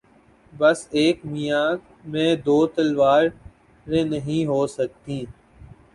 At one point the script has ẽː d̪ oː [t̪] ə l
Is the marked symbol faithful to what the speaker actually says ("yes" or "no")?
yes